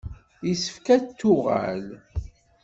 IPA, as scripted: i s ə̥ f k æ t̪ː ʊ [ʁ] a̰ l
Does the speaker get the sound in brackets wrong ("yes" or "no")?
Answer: no